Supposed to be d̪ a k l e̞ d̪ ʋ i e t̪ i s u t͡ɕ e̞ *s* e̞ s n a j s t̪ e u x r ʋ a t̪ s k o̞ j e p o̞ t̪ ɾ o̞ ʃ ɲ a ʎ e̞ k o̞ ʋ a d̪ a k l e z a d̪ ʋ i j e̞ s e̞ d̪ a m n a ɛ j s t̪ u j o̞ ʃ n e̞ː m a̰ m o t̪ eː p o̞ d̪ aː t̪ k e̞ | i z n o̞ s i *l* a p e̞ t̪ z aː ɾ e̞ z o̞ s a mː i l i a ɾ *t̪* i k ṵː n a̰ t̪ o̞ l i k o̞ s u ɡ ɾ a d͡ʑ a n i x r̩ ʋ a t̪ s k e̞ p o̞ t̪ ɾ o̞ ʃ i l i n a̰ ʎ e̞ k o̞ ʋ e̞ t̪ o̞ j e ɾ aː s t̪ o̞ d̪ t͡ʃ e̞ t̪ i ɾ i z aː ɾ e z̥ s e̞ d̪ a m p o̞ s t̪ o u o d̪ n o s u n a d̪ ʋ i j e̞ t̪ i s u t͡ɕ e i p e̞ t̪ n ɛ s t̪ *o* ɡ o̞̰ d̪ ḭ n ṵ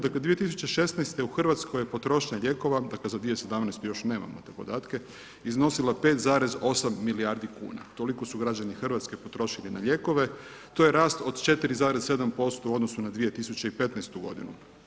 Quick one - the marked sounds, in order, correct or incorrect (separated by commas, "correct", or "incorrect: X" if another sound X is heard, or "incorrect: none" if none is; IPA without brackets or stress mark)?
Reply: incorrect: ʃ, correct, incorrect: d̪, incorrect: u